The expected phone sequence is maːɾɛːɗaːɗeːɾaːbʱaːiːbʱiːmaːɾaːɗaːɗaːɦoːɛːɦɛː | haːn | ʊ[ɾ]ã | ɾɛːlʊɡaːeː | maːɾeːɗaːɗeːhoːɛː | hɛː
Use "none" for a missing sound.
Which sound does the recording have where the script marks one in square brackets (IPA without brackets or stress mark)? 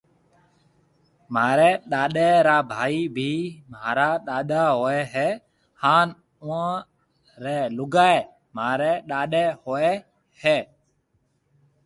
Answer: none